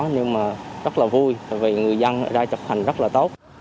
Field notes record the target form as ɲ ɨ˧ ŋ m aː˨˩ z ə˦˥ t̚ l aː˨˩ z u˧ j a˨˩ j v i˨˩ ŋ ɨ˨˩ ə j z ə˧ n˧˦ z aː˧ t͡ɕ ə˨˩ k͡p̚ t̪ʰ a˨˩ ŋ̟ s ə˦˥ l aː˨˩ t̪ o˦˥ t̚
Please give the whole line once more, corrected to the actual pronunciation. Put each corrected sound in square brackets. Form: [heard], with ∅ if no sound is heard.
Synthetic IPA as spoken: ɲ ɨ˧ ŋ m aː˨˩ z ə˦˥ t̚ l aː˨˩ [v] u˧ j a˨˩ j v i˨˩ ŋ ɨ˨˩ ə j z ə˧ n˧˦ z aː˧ t͡ɕ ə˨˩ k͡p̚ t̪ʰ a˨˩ ŋ̟ [z] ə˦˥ l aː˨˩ t̪ o˦˥ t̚